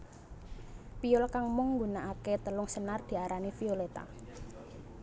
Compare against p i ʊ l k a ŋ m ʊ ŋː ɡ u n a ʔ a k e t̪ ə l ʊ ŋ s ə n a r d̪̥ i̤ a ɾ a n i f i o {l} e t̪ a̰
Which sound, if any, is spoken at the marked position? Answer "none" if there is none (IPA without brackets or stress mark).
l